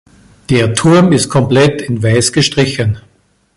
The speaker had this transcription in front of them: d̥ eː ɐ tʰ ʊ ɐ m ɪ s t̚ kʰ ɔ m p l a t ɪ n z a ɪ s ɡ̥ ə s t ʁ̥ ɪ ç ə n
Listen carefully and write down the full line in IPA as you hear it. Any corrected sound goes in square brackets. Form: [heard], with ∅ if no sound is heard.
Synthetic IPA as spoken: d̥ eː ɐ tʰ ʊ ɐ m ɪ s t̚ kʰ ɔ m p l [ɛ] t ɪ n [v] a ɪ s ɡ̥ ə [ʃ] t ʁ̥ ɪ ç ə n